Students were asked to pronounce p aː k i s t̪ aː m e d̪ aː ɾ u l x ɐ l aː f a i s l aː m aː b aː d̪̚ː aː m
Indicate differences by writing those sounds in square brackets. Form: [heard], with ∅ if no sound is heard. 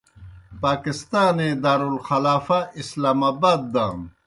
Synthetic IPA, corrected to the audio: p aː k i s t̪ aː [n] e d̪ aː ɾ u l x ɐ l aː f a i s l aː m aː b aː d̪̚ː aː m